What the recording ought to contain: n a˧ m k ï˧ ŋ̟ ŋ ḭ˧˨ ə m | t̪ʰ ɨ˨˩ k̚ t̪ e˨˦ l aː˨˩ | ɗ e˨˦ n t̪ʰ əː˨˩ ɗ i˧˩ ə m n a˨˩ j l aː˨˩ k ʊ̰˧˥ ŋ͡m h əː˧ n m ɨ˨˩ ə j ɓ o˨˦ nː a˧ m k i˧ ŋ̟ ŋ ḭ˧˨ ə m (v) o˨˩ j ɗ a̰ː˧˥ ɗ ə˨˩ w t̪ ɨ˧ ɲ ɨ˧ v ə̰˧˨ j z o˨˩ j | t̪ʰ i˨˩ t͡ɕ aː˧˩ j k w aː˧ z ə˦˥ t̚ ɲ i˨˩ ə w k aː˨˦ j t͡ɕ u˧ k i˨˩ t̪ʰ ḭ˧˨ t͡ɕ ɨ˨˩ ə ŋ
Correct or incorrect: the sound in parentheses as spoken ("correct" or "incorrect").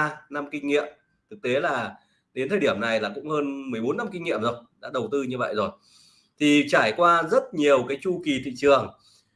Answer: incorrect